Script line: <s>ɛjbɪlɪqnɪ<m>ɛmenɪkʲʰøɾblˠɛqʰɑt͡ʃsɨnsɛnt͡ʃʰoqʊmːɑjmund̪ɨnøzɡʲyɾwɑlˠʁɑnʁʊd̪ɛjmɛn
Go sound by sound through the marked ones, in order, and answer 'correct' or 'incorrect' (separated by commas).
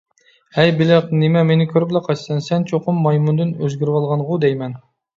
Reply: incorrect, correct